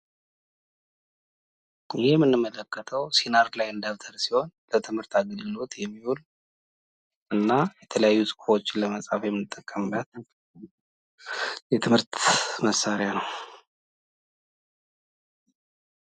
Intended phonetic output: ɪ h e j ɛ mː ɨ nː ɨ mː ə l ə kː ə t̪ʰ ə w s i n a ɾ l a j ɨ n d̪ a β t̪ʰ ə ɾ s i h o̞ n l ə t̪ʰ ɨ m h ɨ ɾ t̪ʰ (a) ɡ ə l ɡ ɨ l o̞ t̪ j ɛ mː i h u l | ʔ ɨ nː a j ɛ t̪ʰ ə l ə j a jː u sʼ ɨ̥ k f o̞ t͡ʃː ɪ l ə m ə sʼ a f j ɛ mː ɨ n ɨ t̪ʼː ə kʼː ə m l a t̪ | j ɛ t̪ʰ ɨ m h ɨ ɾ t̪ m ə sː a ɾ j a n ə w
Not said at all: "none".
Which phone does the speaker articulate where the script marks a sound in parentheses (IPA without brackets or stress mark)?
a